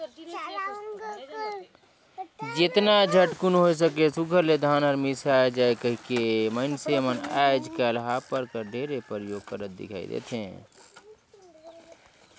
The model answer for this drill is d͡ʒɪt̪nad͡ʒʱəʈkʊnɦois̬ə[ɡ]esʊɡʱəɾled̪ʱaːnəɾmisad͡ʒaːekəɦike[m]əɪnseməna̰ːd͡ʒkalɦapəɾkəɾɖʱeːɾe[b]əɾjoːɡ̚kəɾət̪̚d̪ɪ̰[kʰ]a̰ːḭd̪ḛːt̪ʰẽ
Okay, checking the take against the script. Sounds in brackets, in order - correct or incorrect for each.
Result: incorrect: k, correct, incorrect: p, correct

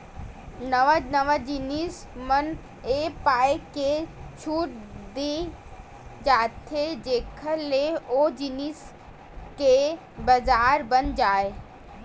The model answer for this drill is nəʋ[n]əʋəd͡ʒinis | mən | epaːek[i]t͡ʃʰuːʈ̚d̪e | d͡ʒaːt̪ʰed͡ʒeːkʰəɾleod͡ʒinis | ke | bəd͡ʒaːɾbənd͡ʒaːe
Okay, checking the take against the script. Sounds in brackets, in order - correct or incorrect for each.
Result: correct, incorrect: e

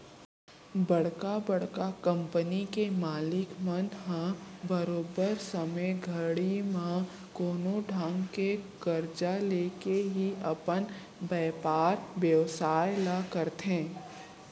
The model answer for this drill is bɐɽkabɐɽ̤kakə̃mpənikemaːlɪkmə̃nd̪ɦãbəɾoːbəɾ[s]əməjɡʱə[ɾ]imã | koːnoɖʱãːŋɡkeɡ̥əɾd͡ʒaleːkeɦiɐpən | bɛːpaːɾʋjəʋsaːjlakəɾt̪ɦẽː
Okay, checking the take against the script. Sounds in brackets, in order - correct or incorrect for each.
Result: correct, incorrect: ɽ

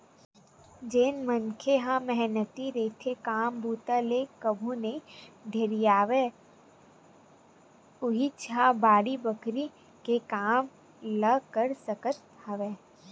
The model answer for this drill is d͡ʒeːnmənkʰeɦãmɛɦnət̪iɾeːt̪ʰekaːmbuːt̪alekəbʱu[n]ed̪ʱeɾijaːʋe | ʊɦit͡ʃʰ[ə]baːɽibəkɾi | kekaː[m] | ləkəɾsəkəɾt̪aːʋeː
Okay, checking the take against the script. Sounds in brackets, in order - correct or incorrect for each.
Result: correct, incorrect: a, correct

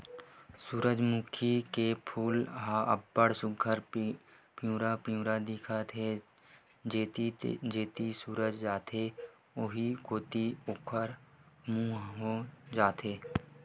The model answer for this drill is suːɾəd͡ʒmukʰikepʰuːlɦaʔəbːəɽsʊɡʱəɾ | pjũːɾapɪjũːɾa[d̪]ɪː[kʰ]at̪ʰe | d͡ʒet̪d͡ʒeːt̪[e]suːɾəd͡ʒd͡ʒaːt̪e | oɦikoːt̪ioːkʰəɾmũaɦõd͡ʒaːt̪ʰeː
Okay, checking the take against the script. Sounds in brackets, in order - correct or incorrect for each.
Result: correct, correct, incorrect: i

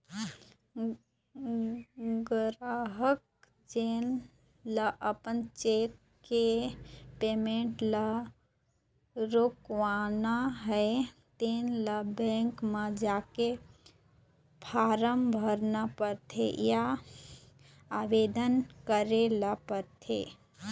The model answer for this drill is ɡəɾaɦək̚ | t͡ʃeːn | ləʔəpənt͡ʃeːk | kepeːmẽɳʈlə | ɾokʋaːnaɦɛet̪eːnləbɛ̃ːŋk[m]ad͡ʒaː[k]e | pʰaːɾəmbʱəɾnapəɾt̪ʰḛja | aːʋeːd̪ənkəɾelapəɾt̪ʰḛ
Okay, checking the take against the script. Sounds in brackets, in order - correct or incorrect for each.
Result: correct, correct

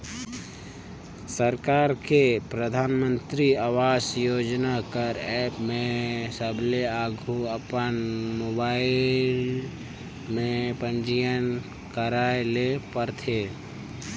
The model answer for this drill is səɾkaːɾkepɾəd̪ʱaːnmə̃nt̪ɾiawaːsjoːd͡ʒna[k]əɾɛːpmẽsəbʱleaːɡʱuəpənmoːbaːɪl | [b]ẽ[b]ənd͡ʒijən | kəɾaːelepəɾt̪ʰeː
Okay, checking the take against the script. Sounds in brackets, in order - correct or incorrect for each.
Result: correct, incorrect: m, incorrect: p

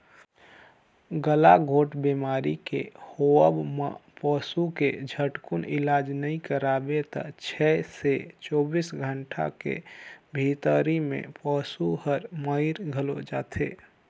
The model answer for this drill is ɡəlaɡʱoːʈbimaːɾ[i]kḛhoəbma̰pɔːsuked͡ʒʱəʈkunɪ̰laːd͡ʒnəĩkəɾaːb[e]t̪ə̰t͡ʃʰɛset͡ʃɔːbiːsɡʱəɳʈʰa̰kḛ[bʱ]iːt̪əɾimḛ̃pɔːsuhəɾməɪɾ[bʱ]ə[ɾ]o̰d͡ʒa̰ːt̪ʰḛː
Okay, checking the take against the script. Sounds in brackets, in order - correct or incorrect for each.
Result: correct, correct, correct, incorrect: ɡʱ, incorrect: l

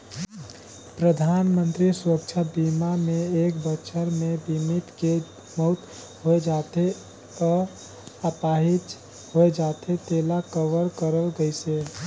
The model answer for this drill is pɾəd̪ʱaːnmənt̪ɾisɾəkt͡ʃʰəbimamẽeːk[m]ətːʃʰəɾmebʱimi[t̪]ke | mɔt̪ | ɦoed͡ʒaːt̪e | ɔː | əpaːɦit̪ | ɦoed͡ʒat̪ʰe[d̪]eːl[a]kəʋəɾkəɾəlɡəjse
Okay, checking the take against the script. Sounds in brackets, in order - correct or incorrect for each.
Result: incorrect: b, correct, incorrect: t̪, correct

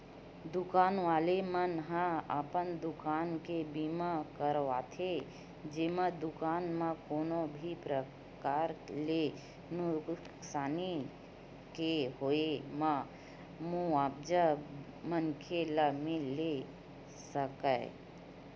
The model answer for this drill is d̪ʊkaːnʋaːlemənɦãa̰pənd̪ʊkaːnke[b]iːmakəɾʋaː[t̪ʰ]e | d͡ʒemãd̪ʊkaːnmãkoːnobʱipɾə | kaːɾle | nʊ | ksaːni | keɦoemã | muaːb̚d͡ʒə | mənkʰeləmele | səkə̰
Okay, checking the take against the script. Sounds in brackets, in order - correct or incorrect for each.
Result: correct, correct

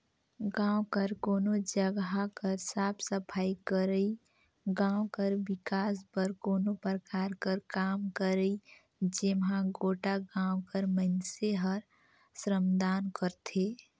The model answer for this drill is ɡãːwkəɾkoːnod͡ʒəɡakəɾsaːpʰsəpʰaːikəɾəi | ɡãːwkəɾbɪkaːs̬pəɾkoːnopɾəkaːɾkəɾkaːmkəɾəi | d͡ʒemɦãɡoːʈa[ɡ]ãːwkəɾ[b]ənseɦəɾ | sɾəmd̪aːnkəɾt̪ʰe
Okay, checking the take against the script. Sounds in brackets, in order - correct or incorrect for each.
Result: correct, incorrect: m

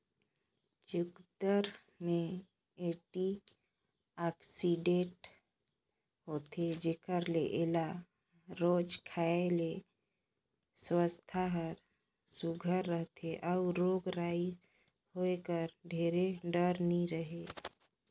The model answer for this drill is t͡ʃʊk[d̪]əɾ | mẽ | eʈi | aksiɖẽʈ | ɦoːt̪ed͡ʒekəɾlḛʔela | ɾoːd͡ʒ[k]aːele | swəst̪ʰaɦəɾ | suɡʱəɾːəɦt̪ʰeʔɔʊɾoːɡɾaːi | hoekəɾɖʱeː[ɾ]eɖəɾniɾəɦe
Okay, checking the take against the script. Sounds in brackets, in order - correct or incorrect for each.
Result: correct, incorrect: kʰ, correct

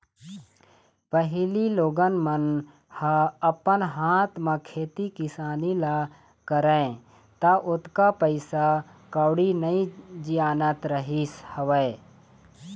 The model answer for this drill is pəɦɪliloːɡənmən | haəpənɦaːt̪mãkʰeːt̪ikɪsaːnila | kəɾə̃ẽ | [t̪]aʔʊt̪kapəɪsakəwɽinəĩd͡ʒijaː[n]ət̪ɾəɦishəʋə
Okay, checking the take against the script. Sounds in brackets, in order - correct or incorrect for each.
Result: correct, correct

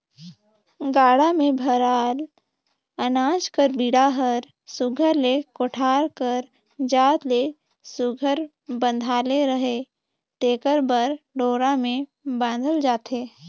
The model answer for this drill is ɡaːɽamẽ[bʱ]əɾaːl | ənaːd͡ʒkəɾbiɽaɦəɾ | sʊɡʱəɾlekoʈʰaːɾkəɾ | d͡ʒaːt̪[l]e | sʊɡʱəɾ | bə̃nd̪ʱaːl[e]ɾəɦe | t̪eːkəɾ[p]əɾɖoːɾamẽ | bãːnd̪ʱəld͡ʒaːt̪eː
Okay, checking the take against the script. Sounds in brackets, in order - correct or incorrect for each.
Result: correct, correct, correct, incorrect: b

